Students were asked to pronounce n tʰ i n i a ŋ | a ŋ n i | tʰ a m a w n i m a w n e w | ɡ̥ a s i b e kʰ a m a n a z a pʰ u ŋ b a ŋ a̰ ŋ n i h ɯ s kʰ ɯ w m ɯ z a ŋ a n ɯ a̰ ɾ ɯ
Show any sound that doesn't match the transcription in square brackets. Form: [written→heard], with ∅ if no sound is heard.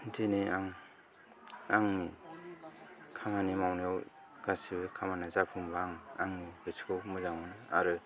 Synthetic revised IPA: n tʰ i n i a ŋ | a ŋ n i | [tʰ→kʰ] a m a [w→∅] n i m a w n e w | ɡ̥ a s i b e kʰ a m a n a z a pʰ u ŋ b a ŋ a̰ ŋ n i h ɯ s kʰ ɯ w m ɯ z a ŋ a n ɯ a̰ ɾ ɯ